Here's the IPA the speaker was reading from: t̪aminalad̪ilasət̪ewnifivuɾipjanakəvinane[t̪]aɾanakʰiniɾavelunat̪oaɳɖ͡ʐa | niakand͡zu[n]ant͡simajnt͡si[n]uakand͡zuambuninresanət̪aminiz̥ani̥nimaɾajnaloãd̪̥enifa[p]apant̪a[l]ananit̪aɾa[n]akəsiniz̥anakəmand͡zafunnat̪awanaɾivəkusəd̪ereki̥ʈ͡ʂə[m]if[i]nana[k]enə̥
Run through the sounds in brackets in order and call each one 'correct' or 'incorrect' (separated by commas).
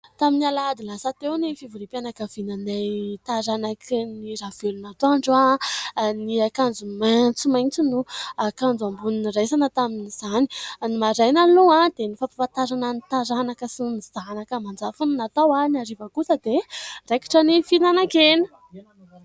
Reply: correct, incorrect, correct, correct, incorrect, correct, incorrect, correct, correct